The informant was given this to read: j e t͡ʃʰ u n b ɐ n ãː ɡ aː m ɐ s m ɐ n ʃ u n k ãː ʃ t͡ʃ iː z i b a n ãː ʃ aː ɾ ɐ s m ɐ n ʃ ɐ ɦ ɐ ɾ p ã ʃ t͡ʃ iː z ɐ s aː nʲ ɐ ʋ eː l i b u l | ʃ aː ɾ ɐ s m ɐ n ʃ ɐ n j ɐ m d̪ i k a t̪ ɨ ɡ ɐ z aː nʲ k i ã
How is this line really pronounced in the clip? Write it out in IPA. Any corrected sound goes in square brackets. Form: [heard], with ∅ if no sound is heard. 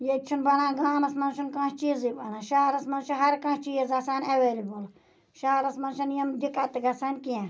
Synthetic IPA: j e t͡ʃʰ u n b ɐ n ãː ɡ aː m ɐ s m ɐ n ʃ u n k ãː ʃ t͡ʃ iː z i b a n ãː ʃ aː ɾ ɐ s m ɐ n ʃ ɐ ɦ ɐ ɾ [k] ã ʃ t͡ʃ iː z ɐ s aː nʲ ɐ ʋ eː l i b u l | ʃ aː ɾ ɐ s m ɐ n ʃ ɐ n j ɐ m d̪ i k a t̪ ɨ ɡ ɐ [s] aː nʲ k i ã